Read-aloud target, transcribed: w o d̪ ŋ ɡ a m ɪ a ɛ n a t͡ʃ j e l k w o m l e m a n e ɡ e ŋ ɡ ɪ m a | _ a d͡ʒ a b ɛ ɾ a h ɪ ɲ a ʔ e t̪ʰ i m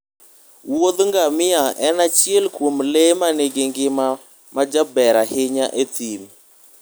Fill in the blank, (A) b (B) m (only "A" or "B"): B